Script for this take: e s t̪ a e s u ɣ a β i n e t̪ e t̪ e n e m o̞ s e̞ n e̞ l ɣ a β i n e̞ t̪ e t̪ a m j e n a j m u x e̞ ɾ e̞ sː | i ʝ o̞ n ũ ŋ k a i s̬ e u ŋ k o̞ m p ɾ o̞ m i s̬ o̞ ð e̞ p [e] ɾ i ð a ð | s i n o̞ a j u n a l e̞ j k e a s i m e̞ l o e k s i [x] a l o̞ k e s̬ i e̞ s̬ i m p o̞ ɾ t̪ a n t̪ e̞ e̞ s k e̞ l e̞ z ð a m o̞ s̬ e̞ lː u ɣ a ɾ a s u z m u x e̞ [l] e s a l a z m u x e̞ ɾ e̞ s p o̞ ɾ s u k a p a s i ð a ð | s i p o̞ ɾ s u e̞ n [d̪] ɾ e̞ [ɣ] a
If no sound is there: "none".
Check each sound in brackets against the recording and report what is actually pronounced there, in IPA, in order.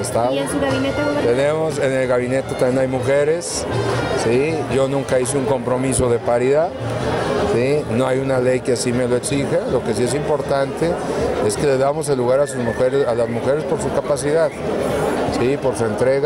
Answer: a, x, ɾ, t̪, ɣ

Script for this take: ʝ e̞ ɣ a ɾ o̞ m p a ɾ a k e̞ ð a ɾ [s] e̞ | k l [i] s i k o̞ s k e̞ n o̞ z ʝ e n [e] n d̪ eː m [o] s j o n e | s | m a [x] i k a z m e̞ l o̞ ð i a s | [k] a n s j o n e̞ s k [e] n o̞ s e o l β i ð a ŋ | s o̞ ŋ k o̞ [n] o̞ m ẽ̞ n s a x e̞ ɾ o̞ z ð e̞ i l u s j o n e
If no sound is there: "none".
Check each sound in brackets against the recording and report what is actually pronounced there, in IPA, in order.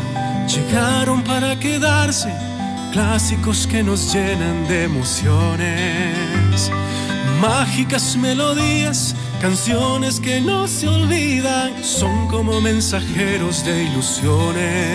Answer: s, a, a, o, x, k, e, m

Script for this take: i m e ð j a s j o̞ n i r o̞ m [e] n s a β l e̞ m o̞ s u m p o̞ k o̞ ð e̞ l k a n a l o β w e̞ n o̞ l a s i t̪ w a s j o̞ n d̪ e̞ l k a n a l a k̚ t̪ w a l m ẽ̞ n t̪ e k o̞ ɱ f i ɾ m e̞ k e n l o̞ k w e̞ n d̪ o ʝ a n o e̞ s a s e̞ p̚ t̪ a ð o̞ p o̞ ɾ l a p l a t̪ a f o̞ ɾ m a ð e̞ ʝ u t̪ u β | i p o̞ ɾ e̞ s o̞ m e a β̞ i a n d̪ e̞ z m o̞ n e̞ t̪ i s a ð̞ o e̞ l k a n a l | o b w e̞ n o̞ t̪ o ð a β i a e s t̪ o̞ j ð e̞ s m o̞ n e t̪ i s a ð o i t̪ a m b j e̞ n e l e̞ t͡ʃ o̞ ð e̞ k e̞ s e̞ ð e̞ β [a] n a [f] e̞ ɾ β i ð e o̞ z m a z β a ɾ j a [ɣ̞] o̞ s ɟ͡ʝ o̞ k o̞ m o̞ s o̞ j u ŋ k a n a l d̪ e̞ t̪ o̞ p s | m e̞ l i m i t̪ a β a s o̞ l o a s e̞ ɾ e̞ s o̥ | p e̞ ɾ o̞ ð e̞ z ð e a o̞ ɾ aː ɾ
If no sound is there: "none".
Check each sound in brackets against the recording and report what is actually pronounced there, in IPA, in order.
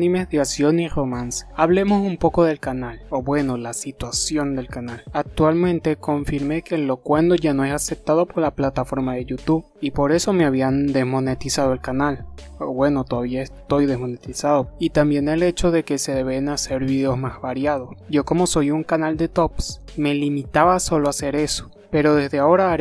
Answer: a, e, s, ð̞

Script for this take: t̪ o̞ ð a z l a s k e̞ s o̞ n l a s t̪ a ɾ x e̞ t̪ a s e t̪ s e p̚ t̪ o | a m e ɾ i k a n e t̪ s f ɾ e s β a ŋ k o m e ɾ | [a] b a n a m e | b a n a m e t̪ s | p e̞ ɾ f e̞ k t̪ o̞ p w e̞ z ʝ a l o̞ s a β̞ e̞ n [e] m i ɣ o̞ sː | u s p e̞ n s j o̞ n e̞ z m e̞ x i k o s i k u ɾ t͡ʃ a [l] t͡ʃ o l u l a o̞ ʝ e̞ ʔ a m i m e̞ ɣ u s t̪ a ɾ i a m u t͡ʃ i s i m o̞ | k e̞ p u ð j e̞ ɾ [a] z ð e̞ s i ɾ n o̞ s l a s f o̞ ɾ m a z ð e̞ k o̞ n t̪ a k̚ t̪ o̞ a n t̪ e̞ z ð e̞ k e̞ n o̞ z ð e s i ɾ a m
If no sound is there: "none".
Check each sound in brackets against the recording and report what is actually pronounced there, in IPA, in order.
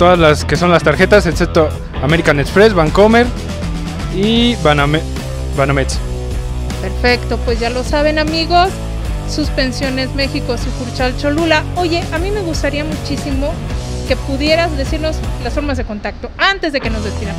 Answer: i, a, l, a

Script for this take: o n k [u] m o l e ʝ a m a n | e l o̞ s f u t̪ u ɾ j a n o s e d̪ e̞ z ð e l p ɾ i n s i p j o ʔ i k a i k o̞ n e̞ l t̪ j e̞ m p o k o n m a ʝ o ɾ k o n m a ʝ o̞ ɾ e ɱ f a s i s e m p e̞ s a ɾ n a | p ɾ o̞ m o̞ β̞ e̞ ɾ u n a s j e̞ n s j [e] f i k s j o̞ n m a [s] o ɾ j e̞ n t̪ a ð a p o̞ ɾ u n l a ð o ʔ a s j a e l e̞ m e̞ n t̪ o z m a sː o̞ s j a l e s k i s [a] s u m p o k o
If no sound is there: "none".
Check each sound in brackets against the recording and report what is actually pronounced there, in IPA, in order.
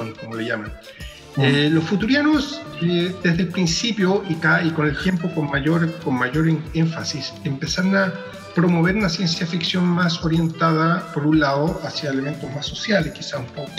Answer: o, a, s, a

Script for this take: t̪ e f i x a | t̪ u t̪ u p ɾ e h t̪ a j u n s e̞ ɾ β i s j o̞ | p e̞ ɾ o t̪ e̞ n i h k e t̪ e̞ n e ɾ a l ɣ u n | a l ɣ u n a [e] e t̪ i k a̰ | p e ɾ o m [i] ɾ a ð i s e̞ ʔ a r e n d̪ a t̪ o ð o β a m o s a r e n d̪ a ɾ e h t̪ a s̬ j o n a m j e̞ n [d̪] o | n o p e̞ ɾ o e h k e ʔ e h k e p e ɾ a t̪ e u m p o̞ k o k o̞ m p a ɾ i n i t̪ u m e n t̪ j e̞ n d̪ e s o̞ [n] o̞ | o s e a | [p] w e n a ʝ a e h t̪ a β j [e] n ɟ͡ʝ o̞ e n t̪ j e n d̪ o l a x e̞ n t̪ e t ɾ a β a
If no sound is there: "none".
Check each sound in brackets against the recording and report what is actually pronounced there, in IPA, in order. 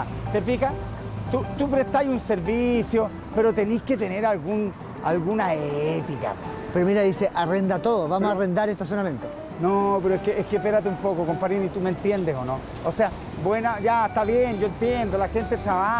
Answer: e, i, t̪, n, b, e

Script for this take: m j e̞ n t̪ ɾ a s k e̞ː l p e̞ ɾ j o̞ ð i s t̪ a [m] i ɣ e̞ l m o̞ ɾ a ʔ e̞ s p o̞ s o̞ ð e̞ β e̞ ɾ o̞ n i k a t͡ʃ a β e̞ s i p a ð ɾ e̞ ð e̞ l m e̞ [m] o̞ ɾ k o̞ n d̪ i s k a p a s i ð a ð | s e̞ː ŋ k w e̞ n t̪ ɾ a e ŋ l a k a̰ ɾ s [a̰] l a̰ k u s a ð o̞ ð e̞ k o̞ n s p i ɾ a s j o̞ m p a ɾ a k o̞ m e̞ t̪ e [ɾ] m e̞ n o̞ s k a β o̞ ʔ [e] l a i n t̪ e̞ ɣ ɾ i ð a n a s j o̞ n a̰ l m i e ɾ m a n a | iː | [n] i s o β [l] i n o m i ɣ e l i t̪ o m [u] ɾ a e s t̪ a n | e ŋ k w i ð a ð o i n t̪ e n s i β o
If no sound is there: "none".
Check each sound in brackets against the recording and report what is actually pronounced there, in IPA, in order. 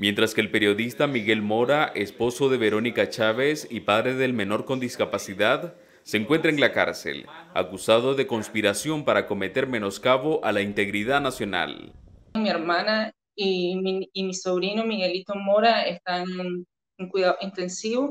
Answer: m, n, ḛ, ɾ, a, m, ɾ, o

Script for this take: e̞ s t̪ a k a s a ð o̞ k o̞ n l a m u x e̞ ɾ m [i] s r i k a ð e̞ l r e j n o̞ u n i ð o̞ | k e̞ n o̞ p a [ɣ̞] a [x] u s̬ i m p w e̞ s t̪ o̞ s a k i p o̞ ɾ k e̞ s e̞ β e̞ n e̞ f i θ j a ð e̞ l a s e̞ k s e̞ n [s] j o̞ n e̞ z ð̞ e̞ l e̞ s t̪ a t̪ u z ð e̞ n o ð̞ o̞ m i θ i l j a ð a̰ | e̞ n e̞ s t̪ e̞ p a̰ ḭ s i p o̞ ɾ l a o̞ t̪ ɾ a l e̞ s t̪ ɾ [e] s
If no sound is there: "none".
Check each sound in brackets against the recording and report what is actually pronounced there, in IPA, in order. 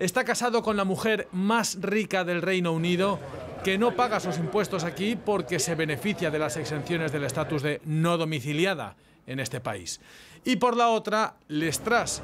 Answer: a, ɣ̞, s, θ, a

